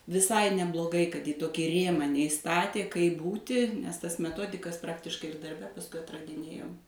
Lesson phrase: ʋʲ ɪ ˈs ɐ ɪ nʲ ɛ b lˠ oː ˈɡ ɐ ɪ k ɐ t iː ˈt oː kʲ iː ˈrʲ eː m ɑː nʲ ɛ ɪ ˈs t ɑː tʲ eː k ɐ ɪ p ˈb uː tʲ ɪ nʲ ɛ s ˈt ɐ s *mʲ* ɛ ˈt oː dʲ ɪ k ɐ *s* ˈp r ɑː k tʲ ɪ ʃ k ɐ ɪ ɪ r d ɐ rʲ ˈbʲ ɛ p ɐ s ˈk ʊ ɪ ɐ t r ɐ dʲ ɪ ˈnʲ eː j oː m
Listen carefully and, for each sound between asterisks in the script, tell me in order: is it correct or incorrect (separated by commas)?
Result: correct, correct